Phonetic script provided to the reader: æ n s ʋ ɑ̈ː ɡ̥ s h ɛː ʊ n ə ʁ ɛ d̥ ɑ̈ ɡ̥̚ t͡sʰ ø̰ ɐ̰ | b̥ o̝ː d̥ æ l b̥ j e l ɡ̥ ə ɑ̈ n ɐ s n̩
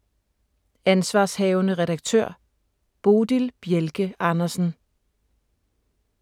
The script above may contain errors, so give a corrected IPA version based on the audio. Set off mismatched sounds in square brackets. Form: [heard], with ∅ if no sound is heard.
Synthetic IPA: æ n s ʋ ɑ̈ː [∅] s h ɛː ʊ n ə ʁ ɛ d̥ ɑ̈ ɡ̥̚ t͡sʰ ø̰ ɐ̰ | b̥ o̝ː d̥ [i] l b̥ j e l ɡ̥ ə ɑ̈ n ɐ s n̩